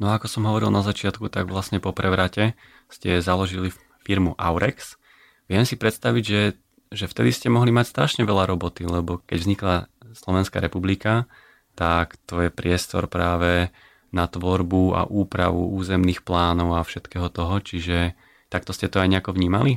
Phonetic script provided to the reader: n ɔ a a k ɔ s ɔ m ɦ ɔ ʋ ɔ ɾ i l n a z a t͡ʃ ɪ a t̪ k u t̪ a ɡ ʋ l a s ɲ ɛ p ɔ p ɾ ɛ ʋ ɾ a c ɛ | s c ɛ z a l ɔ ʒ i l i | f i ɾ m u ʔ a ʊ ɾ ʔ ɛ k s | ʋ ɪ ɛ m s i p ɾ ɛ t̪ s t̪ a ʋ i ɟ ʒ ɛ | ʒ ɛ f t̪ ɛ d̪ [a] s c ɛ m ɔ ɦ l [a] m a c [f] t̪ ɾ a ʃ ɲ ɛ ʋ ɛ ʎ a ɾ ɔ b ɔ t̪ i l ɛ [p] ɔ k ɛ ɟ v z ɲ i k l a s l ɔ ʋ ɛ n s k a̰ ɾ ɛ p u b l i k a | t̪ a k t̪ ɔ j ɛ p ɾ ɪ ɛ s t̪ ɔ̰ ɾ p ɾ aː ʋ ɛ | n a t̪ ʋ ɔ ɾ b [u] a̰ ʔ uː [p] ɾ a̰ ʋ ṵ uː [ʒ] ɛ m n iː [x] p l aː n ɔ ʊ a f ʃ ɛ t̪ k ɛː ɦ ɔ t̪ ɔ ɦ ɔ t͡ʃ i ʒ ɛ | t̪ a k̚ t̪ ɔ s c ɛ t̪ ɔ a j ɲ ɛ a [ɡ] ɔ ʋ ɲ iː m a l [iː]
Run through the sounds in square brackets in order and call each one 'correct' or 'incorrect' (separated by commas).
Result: incorrect, incorrect, incorrect, incorrect, correct, correct, incorrect, correct, incorrect, incorrect